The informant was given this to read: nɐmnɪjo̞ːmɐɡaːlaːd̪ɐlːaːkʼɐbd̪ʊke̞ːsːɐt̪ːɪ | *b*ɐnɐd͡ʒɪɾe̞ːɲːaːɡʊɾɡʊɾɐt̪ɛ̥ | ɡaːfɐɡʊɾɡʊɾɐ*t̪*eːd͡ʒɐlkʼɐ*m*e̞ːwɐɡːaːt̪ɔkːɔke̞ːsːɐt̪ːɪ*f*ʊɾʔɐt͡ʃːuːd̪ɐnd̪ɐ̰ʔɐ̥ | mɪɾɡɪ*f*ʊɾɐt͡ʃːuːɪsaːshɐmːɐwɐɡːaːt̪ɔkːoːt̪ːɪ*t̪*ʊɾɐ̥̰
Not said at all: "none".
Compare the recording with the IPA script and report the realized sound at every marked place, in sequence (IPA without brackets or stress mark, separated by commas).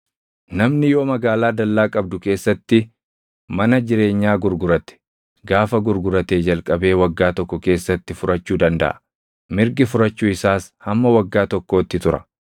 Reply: m, t̪, b, f, f, t̪